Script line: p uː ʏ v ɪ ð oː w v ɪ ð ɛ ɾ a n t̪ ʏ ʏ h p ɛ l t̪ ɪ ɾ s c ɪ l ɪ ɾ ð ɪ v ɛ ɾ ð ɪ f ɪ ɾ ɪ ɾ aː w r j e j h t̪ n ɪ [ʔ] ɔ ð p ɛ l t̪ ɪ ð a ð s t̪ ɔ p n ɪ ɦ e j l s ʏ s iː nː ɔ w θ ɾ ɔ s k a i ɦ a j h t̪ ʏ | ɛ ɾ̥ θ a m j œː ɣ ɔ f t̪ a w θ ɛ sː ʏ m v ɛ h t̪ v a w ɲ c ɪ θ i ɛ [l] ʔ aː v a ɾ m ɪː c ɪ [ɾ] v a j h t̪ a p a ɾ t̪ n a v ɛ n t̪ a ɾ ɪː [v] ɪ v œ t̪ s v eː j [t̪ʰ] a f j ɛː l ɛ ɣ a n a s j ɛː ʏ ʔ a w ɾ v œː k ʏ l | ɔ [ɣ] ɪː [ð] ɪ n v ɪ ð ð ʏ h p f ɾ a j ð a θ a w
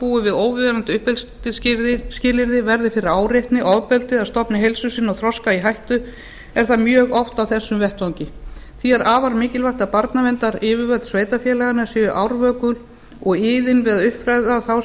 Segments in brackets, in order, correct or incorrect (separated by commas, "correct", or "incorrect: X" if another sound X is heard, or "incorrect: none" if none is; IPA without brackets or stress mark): correct, incorrect: ɾ, incorrect: l, correct, incorrect: t̪, correct, correct